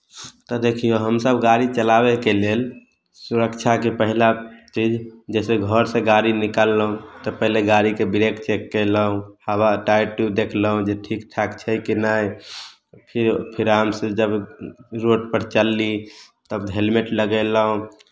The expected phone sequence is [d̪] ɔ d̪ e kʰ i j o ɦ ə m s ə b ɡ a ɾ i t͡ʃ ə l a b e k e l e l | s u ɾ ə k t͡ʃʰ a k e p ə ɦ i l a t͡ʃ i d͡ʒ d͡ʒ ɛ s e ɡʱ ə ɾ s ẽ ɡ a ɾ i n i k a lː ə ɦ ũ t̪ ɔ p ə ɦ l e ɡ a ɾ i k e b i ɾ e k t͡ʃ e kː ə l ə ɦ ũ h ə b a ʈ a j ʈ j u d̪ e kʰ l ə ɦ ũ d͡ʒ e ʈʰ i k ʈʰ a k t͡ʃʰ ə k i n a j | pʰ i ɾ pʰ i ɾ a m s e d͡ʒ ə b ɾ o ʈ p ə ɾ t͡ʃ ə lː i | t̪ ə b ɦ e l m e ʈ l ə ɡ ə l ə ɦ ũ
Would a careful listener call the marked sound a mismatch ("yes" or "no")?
yes